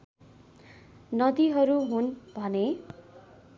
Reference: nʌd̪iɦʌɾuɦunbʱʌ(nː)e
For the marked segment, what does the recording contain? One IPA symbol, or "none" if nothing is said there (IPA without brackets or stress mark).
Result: n